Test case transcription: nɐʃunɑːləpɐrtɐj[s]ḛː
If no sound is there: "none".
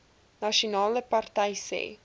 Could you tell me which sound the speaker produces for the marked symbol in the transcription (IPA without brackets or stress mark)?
s